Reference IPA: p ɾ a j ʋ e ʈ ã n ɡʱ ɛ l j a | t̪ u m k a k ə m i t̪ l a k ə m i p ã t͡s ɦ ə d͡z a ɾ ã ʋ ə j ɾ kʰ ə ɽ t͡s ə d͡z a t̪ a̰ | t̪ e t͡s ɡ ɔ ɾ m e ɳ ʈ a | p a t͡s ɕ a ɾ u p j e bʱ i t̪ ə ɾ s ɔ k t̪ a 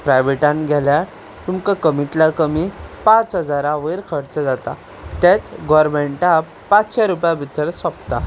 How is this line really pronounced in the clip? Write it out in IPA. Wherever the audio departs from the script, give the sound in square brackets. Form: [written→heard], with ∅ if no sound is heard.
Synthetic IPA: p ɾ a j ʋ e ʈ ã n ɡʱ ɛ l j a | t̪ u m k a k ə m i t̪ l a k ə m i p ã t͡s ɦ ə d͡z a ɾ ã ʋ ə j ɾ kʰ ə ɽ t͡s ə d͡z a t̪ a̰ | t̪ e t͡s ɡ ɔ ɾ m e ɳ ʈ a | p a t͡s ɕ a ɾ u p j [e→a] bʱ i t̪ ə ɾ s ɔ [k→p] t̪ a